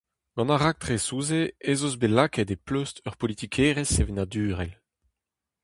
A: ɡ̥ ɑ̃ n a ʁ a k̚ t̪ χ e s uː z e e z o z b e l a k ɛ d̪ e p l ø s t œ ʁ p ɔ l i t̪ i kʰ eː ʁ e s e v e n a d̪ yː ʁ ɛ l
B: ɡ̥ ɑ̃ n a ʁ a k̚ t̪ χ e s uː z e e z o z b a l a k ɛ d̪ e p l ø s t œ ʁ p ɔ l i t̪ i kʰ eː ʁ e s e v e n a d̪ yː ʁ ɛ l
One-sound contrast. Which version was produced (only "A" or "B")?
A